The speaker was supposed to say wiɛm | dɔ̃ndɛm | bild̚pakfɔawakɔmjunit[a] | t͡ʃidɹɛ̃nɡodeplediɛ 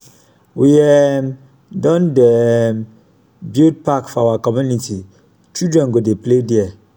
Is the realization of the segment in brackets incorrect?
yes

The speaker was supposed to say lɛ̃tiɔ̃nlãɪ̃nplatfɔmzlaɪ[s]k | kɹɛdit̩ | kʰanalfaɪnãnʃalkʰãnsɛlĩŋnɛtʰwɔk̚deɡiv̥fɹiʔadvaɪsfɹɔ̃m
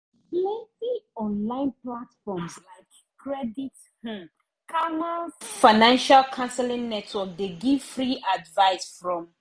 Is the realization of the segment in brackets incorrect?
yes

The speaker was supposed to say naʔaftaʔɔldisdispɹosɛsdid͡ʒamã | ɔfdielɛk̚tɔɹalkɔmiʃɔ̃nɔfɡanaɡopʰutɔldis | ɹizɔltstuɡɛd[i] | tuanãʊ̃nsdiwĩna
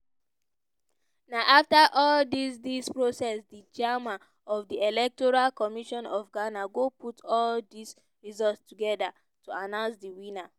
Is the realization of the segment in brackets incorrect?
yes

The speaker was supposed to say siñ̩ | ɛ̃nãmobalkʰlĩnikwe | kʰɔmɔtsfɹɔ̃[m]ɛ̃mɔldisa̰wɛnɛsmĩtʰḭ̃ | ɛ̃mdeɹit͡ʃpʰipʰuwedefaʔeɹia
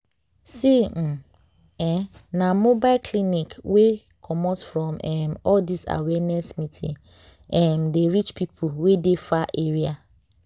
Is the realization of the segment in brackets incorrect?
no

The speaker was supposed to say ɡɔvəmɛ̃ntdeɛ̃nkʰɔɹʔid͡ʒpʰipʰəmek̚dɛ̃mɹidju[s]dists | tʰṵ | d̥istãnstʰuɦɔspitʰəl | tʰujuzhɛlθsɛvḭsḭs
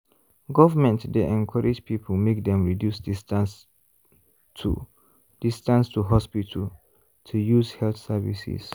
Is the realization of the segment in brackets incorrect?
no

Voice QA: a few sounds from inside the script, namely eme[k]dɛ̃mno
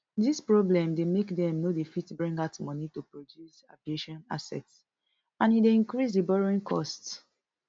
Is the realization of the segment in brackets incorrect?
no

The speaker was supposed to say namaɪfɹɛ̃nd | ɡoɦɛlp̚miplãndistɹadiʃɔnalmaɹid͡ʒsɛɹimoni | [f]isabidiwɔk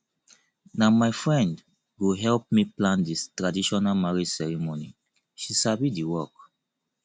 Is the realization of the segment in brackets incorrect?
yes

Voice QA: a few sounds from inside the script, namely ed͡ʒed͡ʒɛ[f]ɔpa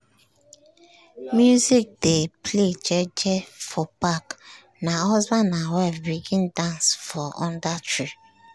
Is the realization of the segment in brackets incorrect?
no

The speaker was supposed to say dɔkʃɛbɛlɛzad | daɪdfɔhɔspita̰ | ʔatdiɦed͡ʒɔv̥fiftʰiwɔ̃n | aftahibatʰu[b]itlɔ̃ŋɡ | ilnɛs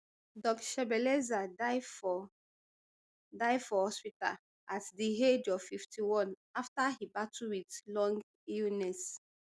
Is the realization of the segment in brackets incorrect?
yes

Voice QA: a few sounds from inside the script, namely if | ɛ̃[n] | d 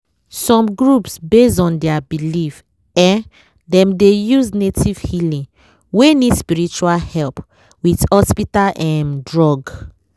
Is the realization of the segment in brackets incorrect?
no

